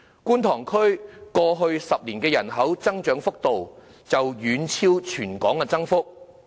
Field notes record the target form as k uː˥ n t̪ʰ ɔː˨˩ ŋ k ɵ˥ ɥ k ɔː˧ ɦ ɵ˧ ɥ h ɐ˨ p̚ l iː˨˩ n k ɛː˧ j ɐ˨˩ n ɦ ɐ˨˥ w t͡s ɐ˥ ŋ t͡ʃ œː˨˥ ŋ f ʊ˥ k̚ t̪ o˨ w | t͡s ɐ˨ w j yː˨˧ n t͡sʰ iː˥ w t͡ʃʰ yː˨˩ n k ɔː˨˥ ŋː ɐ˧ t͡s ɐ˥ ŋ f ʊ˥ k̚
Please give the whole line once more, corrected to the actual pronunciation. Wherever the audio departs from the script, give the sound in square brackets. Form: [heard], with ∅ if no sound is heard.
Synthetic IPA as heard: k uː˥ n t̪ʰ ɔː˨˩ ŋ [kʰ] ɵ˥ ɥ k ɔː˧ ɦ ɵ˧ ɥ [s] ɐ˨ p̚ l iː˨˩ n k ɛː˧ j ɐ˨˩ n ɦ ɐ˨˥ w t͡s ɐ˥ ŋ t͡ʃ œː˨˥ ŋ f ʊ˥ k̚ t̪ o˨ w | t͡s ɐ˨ w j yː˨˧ n t͡sʰ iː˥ w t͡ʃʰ yː˨˩ n k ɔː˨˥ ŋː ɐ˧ t͡s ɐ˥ ŋ f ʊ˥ k̚